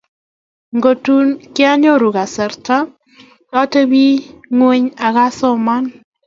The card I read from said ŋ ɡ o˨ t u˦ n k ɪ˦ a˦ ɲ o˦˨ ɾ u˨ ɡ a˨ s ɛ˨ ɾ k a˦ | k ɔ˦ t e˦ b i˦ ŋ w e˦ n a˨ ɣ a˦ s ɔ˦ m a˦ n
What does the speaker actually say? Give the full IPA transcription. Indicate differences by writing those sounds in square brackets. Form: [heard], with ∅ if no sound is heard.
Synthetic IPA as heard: ŋ ɡ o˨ t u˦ n k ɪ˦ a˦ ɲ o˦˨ ɾ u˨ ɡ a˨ s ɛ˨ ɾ [t] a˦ | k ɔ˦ t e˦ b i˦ ŋ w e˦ [ɲ] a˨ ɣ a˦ s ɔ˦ m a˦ n